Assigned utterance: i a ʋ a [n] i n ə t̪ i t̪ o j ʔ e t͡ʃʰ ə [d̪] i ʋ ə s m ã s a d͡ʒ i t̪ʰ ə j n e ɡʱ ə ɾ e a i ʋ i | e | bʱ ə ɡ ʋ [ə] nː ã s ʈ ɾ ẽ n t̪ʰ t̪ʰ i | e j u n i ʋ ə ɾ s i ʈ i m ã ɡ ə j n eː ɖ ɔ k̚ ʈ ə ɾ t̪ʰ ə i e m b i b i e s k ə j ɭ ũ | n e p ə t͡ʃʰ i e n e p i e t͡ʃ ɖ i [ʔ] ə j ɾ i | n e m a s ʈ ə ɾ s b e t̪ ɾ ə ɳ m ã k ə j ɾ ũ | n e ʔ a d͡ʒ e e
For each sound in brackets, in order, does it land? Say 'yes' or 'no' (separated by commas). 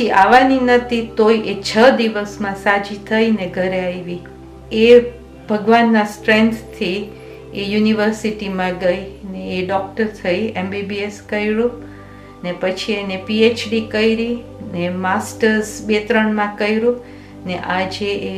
yes, yes, no, no